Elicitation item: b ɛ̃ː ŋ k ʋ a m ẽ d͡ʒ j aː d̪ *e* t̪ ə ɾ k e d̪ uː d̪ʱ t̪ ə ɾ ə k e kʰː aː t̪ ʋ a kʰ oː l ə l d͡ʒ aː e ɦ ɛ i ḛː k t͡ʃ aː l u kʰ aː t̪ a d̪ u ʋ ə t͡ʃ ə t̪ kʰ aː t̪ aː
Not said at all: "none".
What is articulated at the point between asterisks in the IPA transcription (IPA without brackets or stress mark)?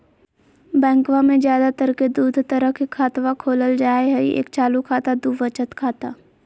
a